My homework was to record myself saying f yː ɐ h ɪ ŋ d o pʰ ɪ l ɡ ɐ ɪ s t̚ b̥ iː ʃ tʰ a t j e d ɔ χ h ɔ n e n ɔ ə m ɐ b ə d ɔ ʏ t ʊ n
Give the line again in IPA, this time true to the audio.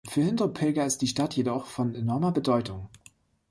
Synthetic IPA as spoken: f yː ɐ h ɪ n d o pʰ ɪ l ɡ ɐ ɪ s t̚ d̥ iː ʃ t a t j e d ɔ χ f ɔ n e n ɔ ɐ m ɐ b ə d ɔ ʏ t ʊ ŋ

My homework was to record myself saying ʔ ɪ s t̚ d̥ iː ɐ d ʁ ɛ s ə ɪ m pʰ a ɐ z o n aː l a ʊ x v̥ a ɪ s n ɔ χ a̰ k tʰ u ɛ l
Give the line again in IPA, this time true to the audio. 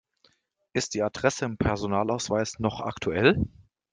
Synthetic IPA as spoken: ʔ ɪ s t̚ d̥ iː a d ʁ ɛ s ə ɪ m pʰ ɛ ɐ z o n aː l a ʊ s v̥ a ɪ s n ɔ χ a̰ k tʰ u ɛ l

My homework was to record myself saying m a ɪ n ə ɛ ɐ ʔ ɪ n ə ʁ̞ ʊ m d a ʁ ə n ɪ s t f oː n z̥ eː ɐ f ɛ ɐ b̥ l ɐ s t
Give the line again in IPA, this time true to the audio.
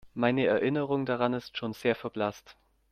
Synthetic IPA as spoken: m a ɪ n ə ɛ ɐ ʔ ɪ n ə ʁ̞ ʊ ŋ d a ʁ a n ɪ s t ʃ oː n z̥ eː ɐ f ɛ ɐ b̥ l a s t

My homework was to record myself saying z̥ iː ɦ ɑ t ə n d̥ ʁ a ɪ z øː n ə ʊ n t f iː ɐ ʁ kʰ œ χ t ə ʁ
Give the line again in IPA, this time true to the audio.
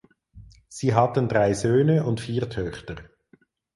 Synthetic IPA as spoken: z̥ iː ɦ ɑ t ə n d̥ ʁ a ɪ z øː n ə ʊ n t f iː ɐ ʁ tʰ œ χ t ə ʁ

